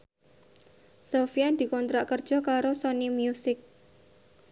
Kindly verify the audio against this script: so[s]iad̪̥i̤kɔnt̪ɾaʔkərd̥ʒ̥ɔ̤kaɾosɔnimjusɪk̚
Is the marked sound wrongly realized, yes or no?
yes